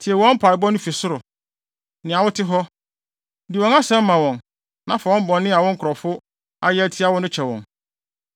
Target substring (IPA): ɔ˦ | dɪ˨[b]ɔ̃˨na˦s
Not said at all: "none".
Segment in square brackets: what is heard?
w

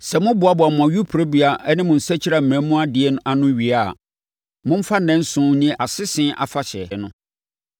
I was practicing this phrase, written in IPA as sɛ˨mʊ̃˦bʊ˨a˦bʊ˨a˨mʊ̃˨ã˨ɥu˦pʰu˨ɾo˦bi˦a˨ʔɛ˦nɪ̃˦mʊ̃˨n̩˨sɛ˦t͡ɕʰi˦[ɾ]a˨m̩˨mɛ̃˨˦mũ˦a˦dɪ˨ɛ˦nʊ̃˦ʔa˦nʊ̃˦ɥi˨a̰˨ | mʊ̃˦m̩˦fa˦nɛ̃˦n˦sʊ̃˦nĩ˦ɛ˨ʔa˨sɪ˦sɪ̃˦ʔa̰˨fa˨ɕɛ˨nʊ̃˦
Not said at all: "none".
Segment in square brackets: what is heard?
ɾ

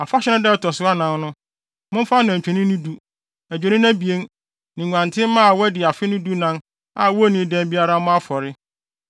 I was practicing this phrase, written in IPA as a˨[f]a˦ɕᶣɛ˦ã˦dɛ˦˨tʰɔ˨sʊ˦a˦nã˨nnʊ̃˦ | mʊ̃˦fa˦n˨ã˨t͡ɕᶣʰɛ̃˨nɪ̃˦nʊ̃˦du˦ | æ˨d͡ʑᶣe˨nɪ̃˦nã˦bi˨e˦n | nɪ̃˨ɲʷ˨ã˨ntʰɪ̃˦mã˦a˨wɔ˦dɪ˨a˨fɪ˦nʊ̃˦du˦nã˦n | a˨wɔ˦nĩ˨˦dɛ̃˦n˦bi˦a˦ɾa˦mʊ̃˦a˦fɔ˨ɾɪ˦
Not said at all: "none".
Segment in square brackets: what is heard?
f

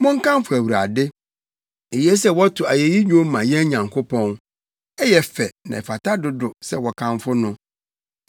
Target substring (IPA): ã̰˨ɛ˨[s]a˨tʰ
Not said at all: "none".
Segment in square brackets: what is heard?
f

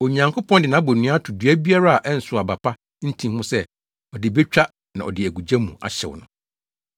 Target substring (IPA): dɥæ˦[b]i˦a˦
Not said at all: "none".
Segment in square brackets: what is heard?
b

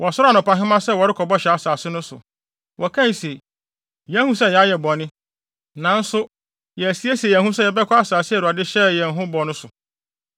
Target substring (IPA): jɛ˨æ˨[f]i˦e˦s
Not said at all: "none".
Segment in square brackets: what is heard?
s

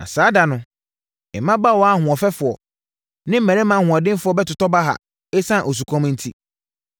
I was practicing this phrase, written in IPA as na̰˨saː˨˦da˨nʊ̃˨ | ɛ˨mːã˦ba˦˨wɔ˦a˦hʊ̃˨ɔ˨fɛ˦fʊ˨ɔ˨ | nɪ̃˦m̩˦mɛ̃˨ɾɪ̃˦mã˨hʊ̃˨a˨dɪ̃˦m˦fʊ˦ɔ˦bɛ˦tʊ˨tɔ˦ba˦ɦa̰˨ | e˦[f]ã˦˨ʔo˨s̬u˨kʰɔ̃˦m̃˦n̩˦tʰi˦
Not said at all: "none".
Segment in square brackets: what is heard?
s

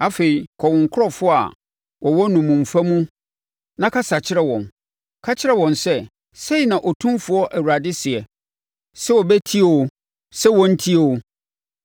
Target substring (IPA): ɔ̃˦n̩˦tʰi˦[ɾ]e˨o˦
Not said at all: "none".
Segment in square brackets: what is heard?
none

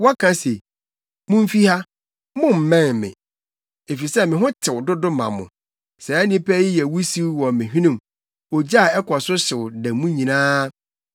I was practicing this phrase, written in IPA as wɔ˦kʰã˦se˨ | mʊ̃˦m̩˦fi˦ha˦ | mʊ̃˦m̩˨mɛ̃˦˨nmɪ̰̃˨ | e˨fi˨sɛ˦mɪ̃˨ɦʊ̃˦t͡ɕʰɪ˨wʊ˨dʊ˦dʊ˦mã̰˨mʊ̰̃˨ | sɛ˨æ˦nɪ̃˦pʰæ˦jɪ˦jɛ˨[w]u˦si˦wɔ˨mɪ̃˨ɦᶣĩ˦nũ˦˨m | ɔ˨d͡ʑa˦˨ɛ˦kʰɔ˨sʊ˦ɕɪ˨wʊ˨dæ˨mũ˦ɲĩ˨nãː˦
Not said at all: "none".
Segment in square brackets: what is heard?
w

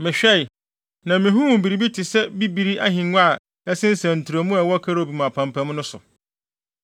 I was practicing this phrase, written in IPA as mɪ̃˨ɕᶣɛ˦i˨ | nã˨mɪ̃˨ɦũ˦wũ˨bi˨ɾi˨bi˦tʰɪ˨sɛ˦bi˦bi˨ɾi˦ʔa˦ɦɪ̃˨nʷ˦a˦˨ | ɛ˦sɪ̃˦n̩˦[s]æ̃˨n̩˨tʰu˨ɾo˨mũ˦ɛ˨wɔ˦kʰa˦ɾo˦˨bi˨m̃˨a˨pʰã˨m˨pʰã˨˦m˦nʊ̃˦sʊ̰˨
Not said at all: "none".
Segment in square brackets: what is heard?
s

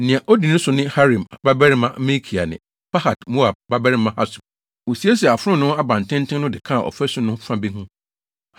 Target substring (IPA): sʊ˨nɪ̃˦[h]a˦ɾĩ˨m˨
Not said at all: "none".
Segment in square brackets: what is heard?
h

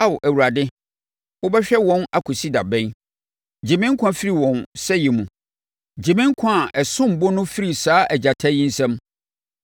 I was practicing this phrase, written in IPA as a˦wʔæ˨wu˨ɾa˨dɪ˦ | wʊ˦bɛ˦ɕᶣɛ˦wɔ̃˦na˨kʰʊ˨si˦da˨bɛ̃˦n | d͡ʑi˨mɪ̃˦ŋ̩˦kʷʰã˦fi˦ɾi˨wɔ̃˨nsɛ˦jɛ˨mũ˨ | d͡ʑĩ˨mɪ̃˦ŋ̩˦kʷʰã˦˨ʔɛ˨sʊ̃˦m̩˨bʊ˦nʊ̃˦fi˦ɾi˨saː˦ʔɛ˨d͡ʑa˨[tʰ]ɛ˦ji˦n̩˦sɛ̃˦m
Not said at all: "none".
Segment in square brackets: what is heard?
tʰ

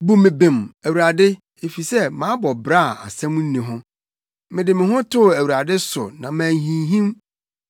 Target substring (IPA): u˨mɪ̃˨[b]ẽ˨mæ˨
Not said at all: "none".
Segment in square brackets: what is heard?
b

